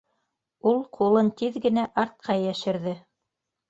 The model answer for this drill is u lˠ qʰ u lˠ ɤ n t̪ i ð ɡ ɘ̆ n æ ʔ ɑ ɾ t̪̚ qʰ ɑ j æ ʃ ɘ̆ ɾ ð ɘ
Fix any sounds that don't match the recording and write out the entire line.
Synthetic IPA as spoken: u lˠ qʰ u lˠ ɤ n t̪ i ð ɡ ɘ̆ n æ ʔ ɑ ɾ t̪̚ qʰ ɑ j æ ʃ ɘ̆ ɾ ð ɘ